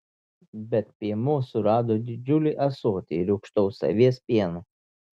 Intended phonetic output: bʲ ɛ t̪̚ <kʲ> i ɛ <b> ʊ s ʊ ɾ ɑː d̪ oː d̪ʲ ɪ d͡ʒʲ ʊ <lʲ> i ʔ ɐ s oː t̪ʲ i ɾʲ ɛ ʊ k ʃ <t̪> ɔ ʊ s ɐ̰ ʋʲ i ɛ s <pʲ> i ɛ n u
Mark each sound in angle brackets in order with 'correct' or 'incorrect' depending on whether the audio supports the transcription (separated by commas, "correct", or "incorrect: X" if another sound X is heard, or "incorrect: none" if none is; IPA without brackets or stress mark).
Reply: incorrect: pʲ, incorrect: m, correct, correct, correct